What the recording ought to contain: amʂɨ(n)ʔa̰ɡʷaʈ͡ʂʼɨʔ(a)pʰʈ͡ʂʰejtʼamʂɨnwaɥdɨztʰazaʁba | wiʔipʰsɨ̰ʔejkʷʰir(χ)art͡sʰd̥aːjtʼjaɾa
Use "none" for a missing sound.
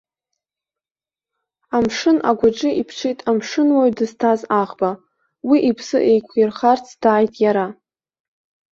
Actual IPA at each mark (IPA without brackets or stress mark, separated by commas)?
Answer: n, i, χ